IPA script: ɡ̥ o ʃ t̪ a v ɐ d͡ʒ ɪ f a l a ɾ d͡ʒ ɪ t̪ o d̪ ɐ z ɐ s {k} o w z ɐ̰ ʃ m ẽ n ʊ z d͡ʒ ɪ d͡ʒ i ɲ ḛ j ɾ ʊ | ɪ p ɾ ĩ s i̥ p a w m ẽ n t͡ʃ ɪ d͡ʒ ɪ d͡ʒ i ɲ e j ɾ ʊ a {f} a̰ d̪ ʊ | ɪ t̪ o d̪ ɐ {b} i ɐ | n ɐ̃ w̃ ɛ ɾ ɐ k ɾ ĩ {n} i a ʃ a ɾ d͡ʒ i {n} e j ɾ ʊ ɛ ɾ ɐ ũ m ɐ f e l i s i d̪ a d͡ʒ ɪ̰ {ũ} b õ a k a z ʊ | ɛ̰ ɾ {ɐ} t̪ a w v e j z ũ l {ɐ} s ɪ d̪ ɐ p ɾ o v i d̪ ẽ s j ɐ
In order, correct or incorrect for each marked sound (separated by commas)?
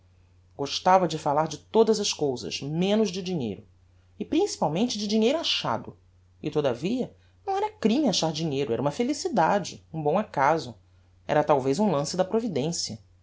correct, incorrect, incorrect, incorrect, incorrect, correct, correct, incorrect